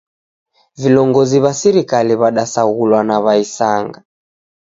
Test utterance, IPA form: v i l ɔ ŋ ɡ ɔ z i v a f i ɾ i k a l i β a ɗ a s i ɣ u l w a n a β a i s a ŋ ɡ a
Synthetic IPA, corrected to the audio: v i l ɔ ŋ ɡ ɔ z i β a s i ɾ i k a l i β a ɗ a s a ɣ u l w a n a β a i s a ŋ ɡ a